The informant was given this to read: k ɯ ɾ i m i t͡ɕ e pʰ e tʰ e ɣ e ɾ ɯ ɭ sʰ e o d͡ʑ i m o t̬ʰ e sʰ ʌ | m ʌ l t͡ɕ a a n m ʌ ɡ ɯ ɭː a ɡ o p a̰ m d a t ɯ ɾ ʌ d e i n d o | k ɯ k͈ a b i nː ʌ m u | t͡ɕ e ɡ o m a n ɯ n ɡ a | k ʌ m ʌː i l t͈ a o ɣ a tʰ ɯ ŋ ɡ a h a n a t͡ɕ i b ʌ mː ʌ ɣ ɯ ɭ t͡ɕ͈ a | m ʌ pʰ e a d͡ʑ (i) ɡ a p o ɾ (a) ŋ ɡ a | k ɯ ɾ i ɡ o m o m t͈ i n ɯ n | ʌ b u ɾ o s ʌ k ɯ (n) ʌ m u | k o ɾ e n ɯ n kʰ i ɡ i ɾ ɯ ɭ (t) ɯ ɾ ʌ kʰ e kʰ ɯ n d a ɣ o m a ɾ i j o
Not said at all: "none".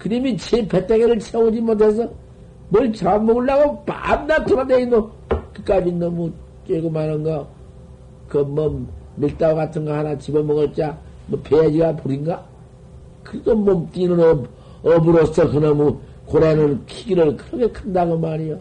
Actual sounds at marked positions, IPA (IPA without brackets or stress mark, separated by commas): i, i, n, k